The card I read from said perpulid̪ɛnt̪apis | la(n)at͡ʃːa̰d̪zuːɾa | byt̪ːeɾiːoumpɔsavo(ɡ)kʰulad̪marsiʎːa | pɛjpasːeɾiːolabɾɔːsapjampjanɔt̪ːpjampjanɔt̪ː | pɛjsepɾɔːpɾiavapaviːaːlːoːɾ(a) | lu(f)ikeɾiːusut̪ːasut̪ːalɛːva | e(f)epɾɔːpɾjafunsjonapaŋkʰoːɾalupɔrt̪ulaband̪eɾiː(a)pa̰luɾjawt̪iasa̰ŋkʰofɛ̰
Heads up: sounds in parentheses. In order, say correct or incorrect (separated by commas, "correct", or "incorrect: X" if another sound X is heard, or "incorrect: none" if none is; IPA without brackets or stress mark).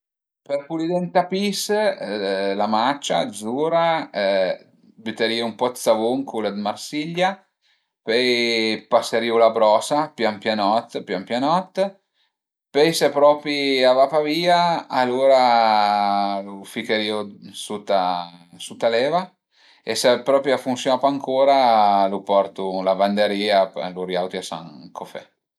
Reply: incorrect: m, incorrect: ŋ, correct, correct, incorrect: s, correct